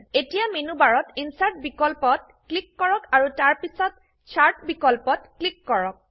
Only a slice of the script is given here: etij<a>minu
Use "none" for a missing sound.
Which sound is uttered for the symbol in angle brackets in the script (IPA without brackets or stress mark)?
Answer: a